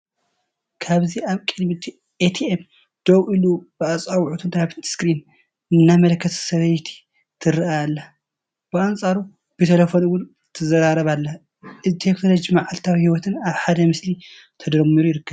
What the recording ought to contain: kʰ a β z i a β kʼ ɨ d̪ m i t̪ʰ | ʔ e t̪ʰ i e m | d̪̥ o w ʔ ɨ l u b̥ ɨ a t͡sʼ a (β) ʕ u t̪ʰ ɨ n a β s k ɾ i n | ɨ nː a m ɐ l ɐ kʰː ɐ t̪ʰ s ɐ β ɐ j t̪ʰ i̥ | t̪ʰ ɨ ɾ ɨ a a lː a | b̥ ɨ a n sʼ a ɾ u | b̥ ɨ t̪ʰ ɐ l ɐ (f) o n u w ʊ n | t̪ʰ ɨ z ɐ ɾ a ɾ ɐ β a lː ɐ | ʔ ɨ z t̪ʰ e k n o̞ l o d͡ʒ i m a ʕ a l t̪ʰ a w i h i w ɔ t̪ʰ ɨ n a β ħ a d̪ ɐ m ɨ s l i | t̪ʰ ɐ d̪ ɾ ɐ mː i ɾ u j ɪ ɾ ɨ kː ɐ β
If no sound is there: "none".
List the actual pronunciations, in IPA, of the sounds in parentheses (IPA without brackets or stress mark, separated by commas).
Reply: w, f